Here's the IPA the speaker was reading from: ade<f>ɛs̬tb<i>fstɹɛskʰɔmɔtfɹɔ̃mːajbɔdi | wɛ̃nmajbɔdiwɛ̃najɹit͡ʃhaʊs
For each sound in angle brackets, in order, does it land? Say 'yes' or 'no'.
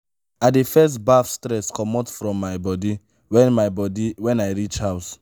yes, no

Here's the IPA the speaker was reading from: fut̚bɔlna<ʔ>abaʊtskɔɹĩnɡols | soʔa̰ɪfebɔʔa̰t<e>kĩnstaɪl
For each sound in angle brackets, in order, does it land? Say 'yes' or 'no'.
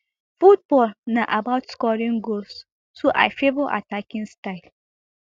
yes, no

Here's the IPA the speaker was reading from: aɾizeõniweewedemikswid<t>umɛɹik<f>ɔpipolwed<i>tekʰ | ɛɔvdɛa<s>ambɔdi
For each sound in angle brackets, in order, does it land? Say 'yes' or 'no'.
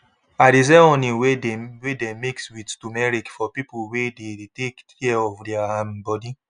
yes, yes, no, no

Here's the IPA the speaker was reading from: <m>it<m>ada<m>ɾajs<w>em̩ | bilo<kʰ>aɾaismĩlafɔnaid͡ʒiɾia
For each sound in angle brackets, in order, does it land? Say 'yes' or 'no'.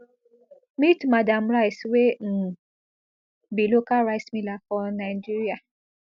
yes, yes, yes, yes, no

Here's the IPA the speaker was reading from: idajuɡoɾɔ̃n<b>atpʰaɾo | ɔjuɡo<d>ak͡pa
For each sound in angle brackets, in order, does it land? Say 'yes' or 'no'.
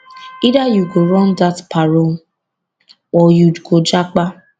no, no

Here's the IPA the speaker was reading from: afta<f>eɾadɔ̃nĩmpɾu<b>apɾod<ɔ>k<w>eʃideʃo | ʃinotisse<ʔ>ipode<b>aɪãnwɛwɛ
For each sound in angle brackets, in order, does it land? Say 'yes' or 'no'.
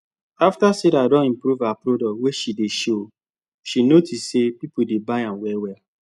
no, no, yes, yes, no, yes

